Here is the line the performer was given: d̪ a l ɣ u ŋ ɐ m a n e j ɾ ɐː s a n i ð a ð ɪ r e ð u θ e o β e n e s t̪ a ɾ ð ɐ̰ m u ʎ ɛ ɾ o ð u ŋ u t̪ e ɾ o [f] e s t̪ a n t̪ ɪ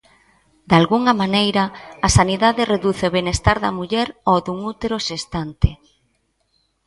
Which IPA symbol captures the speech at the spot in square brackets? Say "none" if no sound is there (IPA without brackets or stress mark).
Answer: ʃ